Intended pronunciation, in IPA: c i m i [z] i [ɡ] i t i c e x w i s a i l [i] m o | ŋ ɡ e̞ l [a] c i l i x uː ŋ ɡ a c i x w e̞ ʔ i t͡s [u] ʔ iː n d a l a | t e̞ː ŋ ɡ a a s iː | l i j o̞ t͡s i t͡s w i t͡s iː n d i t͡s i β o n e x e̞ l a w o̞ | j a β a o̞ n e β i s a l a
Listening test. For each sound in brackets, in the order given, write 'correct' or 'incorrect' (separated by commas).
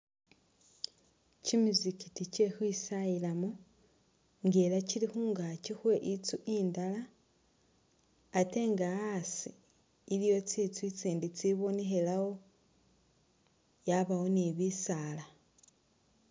correct, incorrect, incorrect, correct, correct